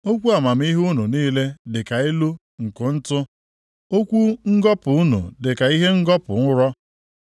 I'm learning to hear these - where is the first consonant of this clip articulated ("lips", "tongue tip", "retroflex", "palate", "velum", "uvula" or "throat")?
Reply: velum